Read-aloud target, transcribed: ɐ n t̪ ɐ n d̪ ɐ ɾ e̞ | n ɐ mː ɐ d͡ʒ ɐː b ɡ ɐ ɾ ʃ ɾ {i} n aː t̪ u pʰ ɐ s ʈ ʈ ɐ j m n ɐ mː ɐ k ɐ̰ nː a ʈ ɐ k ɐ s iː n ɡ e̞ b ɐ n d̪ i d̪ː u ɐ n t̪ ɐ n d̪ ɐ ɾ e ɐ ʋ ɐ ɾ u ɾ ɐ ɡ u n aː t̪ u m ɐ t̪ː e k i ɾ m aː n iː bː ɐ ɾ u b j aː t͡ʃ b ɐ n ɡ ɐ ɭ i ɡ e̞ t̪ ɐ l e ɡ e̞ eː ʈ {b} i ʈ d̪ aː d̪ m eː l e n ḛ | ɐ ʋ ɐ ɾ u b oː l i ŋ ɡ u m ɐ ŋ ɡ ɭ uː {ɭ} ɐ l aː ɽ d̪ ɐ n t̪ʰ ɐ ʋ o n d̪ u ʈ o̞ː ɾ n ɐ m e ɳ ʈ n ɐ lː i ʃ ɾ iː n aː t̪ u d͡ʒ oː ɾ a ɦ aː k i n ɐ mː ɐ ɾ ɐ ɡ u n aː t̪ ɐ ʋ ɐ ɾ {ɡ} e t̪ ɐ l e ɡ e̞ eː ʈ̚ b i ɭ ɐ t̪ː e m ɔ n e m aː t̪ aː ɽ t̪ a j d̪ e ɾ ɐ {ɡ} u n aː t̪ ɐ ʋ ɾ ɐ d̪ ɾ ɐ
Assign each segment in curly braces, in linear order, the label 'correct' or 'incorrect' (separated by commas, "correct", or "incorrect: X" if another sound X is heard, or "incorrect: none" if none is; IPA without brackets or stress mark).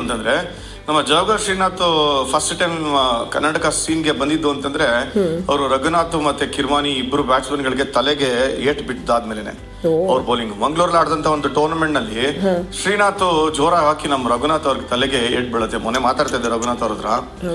incorrect: iː, correct, incorrect: ɾ, correct, correct